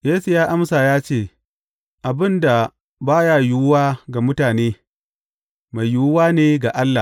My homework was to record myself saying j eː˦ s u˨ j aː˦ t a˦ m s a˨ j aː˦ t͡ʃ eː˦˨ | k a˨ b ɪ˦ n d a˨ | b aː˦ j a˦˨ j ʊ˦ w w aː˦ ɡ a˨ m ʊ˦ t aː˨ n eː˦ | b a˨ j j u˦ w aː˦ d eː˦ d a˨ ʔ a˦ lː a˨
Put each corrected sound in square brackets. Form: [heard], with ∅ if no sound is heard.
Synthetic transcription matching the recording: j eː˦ s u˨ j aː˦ [ʔ] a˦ m s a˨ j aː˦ t͡ʃ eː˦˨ | [ʔ] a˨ b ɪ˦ n d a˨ | b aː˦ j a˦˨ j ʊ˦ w w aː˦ ɡ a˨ m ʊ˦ t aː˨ n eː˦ | [m] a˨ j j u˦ w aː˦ [n] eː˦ [ɡ] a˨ ʔ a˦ lː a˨

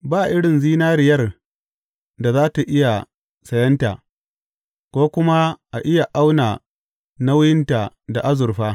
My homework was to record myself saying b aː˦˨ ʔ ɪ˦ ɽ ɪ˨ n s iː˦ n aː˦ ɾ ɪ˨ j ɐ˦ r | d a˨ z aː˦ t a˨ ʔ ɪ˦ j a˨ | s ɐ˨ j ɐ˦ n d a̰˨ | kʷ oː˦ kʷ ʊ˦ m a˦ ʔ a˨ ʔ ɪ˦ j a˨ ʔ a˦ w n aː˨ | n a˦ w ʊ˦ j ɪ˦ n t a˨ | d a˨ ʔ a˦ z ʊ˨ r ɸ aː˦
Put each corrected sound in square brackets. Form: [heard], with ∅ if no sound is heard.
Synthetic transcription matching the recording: b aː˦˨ ʔ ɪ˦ ɽ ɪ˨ n [z] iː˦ n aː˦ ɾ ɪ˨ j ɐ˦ r | d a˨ z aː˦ t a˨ ʔ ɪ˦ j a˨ | s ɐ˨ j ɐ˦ n [t] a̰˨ | kʷ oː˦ kʷ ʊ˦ m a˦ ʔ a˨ ʔ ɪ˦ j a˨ ʔ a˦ w n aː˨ | n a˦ w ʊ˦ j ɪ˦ n t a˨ | d a˨ ʔ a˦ z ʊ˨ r ɸ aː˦

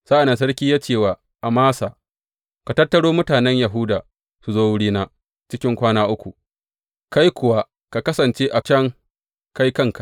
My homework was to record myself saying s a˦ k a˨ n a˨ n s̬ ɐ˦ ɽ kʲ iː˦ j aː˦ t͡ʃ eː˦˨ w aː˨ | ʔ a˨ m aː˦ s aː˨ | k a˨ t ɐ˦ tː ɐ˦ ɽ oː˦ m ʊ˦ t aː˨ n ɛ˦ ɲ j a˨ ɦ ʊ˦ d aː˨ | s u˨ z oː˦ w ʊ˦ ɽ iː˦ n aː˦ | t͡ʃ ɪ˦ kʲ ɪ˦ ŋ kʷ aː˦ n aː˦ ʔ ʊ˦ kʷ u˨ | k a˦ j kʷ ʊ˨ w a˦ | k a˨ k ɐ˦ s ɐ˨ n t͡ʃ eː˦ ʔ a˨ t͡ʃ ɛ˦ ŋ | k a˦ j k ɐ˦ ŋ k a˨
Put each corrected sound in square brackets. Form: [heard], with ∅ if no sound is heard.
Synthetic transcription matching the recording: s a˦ [ʔ] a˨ n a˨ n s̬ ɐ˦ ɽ kʲ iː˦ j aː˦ t͡ʃ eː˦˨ w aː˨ | ʔ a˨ m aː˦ s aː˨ | k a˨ t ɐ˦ tː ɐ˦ ɽ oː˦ m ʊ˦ t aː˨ n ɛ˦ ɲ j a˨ ɦ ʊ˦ d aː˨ | s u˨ z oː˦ w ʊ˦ ɽ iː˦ n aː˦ | t͡ʃ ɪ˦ kʲ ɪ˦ ŋ kʷ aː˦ n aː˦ ʔ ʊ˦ kʷ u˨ | k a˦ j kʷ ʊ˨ w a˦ | k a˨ k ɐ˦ s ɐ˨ n t͡ʃ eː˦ ʔ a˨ t͡ʃ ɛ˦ ŋ | k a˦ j k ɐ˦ ŋ k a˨

